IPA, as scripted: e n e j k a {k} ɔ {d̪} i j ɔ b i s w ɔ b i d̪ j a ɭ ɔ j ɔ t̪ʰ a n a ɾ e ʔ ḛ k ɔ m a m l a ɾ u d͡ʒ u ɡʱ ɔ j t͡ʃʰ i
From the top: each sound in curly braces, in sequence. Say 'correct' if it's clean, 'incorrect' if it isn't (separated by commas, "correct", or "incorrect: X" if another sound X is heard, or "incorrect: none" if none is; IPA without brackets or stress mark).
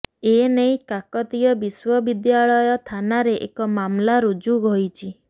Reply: correct, incorrect: t̪